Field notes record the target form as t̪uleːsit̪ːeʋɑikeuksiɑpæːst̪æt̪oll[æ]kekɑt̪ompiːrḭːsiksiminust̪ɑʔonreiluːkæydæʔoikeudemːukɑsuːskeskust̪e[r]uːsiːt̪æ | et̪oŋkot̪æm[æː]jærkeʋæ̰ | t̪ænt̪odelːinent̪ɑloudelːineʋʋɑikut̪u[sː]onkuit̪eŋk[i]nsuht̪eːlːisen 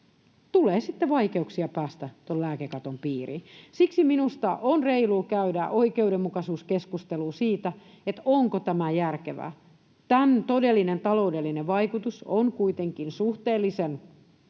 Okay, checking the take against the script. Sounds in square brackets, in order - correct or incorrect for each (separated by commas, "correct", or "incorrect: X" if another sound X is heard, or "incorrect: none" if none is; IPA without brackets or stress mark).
incorrect: æː, incorrect: l, incorrect: æ, incorrect: s, correct